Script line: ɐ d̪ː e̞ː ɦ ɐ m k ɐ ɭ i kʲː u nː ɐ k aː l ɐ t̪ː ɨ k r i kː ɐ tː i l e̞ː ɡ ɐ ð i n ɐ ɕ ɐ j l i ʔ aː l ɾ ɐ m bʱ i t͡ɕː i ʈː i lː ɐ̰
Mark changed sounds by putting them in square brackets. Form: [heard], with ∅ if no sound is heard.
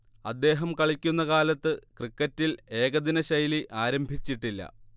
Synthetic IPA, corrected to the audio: ɐ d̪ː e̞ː ɦ ɐ m k ɐ ɭ i kʲː u nː ɐ k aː l ɐ t̪ː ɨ k r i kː ɐ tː i l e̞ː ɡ ɐ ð i n ɐ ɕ ɐ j l i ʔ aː [∅] ɾ ɐ m bʱ i t͡ɕː i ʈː i lː ɐ̰